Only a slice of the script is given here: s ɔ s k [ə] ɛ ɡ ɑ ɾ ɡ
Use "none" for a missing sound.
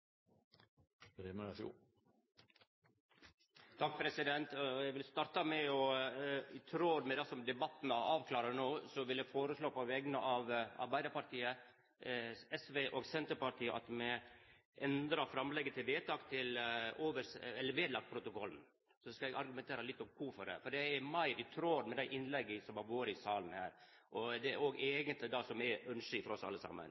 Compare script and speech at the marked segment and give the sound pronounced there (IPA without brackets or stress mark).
ɑ